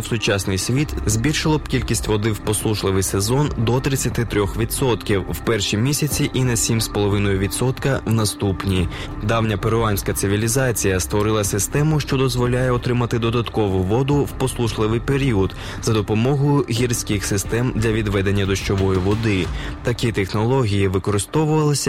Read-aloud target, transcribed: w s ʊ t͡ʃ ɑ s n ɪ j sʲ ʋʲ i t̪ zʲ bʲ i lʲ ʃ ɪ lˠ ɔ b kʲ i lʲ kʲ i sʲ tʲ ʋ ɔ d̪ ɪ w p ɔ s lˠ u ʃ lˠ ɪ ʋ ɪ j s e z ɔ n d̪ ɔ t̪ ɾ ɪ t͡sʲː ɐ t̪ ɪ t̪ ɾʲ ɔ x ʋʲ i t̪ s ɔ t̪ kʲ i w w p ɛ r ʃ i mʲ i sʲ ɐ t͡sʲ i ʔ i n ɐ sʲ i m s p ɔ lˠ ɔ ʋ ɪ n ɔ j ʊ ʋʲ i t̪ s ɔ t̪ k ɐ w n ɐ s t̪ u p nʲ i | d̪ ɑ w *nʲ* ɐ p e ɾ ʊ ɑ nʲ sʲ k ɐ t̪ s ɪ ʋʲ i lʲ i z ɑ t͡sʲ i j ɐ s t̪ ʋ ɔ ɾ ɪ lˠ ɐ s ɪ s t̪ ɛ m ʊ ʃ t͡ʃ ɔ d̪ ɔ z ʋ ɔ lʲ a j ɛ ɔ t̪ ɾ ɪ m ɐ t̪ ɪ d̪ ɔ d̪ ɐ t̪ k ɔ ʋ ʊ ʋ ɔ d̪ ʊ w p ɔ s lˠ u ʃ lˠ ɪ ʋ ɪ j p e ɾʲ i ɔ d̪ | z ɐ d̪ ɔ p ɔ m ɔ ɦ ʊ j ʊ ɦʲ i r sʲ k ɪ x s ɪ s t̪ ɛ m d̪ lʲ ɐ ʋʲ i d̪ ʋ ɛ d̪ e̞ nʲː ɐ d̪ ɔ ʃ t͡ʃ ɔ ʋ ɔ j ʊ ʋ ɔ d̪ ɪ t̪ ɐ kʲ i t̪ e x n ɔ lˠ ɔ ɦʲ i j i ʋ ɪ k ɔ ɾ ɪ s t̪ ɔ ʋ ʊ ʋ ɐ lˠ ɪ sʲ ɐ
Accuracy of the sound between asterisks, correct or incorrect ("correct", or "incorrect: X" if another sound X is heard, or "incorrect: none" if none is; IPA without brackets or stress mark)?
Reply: correct